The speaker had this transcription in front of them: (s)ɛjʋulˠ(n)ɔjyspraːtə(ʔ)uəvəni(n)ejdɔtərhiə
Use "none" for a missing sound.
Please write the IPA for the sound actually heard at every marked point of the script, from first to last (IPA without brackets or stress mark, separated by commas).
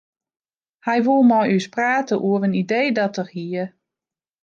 h, m, ʔ, d